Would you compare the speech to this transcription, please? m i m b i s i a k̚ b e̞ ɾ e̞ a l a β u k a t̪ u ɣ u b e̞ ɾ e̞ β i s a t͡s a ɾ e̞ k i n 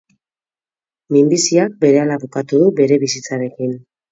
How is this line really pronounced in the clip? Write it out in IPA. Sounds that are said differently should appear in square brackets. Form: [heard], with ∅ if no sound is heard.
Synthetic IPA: m i m b i s i a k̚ b e̞ ɾ e̞ a l a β u k a t̪ u [ð] u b e̞ ɾ e̞ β i s [i] t͡s a ɾ e̞ k i n